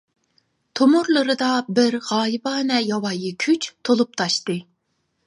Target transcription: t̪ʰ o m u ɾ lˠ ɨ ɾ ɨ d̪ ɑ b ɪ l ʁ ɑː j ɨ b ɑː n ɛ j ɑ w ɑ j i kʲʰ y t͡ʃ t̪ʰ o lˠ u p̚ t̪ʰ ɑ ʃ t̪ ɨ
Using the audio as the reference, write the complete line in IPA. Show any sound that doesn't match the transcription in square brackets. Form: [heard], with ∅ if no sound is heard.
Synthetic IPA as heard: t̪ʰ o m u ɾ lˠ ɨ ɾ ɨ d̪ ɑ b ɪ [ɾ] ʁ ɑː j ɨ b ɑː n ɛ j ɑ w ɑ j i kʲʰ y t͡ʃ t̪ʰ o lˠ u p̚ t̪ʰ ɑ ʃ t̪ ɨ